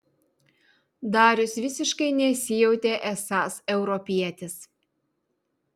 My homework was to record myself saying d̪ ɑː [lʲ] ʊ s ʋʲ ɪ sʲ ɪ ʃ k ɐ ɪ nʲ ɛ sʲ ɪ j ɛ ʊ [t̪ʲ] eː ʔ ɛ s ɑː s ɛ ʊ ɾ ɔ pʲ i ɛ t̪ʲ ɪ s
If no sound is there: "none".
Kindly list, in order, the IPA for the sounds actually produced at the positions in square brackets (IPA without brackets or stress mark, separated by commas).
ɾʲ, t̪ʲ